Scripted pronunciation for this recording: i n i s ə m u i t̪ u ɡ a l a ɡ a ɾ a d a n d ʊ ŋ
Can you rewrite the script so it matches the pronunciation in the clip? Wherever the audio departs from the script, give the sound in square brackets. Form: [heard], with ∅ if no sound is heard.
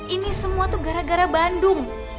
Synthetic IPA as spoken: i n i s ə m u [a] t̪ u ɡ a [ɾ] a ɡ a ɾ a [b] a n d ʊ ŋ

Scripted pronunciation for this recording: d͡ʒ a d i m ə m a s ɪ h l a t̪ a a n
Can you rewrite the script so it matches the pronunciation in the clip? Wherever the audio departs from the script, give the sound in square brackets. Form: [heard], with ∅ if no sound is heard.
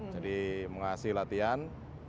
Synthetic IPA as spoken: d͡ʒ a d i m ə [ŋ] a s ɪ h l a t̪ [i] a n

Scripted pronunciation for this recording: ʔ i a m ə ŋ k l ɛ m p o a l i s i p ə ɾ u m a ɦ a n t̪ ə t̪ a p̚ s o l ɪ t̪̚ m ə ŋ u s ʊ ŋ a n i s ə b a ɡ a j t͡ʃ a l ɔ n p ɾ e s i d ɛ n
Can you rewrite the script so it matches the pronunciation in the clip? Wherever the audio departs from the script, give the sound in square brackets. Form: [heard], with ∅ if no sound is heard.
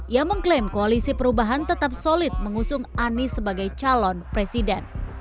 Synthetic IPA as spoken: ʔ i a m ə ŋ k l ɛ m [k] o a l i s i p ə ɾ u [b] a ɦ a n t̪ ə t̪ a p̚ s o l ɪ t̪̚ m ə ŋ u s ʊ ŋ a n i s ə b a ɡ a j t͡ʃ a l ɔ n p ɾ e s i d ɛ n

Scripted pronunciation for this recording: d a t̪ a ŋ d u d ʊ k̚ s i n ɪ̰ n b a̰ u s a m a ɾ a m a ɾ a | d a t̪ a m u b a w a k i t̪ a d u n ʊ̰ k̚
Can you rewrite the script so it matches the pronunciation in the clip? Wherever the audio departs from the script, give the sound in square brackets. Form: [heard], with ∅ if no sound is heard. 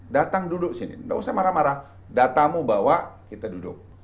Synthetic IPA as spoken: d a t̪ a ŋ d u d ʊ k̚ s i n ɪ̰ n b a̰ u s a m a ɾ a m a ɾ a | d a t̪ a m u b a w a k i t̪ a d u [d] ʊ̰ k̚

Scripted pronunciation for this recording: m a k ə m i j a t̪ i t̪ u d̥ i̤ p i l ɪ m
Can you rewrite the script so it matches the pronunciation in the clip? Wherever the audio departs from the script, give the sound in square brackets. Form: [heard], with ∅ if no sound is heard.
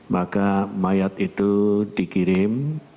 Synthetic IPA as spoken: m a k [a] m [a] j a t̪ i t̪ u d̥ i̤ [k] i [ɾ] ɪ m

